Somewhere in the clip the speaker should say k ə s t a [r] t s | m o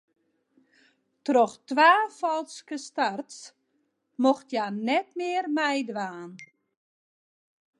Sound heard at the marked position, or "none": r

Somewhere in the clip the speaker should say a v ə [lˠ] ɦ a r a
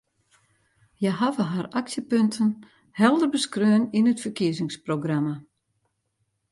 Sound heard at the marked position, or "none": none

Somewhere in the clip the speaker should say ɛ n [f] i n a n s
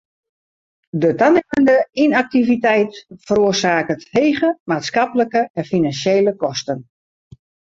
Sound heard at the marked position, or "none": f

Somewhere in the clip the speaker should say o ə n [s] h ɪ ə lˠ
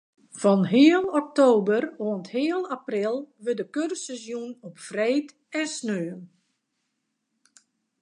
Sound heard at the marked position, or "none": t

